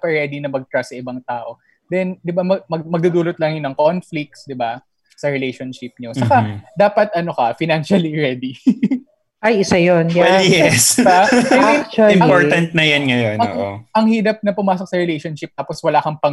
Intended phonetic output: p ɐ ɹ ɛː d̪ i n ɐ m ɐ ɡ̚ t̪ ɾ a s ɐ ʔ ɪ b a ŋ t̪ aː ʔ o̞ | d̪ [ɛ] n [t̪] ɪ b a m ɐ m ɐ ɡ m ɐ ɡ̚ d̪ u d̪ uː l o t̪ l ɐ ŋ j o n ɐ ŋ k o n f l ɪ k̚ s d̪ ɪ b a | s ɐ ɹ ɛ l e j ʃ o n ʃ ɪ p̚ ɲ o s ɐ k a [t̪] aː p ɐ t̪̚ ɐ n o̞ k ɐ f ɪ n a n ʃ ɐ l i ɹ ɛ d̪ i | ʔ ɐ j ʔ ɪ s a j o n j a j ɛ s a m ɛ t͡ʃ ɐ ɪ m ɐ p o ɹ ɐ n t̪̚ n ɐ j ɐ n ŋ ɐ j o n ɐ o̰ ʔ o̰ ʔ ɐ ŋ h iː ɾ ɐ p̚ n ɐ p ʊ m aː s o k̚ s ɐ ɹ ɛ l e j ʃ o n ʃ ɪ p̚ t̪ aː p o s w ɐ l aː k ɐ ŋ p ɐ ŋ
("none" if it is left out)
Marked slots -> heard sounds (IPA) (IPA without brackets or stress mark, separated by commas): ɛ, d̪, d̪